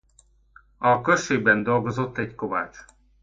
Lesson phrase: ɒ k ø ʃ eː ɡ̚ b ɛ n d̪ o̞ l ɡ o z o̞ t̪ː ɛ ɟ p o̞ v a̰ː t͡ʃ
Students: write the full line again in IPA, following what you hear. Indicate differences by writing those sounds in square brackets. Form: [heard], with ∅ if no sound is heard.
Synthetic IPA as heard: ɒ k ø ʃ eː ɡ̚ b ɛ n d̪ o̞ l ɡ o z o̞ t̪ː ɛ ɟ [k] o̞ v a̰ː t͡ʃ